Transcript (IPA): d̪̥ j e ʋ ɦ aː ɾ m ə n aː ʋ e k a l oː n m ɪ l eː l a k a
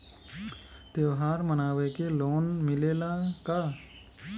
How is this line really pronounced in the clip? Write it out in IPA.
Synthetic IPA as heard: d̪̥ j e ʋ ɦ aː ɾ m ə n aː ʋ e k e l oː n m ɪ l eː l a k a

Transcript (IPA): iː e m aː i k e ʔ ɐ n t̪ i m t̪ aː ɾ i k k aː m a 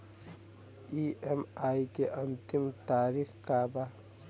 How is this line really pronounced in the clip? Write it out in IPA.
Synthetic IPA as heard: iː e m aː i k e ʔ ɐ n t̪ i m t̪ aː ɾ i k k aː b a

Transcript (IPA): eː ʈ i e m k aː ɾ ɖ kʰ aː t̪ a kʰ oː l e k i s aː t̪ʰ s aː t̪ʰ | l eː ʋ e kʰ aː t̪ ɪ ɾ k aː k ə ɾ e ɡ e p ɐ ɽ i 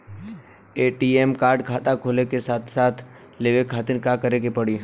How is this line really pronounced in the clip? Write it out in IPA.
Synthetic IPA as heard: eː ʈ i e m k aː ɾ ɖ kʰ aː t̪ a kʰ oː l e k e s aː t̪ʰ s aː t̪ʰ | l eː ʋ e kʰ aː t̪ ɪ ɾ k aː k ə ɾ e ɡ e p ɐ ɽ i

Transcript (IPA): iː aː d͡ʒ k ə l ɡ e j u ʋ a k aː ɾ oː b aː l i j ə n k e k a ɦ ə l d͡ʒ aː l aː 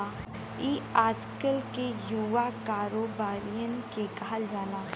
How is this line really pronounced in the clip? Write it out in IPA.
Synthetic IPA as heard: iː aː d͡ʒ k ə l k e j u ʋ a k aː ɾ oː b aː ɾ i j ə n k e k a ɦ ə l d͡ʒ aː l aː

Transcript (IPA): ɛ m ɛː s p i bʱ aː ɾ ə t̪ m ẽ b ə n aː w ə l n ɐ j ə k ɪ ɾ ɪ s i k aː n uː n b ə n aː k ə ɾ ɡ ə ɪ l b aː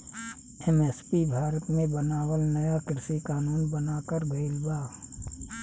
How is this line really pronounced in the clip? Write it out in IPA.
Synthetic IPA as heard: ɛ m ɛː s p i bʱ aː ɾ ə t̪ m ẽ b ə n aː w ə l n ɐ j a k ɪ ɾ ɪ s i k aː n uː n b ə n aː k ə ɾ ɡ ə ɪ l b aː

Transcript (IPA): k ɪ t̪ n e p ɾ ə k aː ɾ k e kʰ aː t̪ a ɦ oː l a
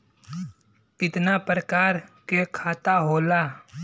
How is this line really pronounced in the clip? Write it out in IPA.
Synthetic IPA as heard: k ɪ t̪ n a p ɾ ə k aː ɾ k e kʰ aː t̪ a ɦ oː l a

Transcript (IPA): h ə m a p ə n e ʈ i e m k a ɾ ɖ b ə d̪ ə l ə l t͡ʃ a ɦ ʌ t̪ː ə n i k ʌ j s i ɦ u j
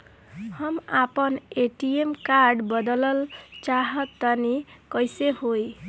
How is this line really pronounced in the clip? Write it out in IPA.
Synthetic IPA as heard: h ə m a p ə n e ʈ i e m k a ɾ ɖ b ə d̪ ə l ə l t͡ʃ a ɦ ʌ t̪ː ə n i k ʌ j s e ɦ o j

